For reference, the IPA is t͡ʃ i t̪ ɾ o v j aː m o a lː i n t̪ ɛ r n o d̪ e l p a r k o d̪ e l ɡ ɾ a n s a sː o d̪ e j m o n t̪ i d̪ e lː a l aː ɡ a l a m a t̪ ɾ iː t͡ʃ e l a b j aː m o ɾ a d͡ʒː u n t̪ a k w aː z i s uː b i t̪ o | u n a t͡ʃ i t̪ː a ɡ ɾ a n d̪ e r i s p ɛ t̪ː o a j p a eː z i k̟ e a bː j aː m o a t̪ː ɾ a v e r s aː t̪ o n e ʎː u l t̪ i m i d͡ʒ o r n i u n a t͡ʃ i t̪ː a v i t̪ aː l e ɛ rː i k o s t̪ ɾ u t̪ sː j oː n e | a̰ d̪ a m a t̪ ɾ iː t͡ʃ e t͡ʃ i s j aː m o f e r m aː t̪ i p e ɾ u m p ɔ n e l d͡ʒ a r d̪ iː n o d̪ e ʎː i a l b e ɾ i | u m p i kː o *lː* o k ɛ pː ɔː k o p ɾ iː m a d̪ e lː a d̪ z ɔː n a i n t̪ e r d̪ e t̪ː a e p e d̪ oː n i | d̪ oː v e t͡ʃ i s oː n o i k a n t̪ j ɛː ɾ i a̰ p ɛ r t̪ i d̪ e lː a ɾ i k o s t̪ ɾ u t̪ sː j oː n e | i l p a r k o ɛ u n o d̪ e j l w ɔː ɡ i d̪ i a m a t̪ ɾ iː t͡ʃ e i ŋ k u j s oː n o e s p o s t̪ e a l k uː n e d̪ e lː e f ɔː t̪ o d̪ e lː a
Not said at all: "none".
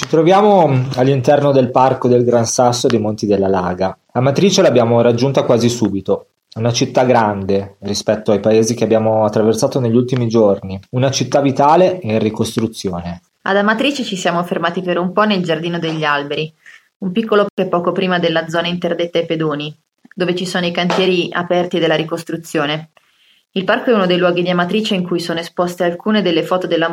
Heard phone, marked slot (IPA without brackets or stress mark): l